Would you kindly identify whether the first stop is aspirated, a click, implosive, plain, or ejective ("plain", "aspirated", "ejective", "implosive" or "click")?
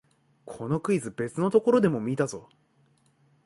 aspirated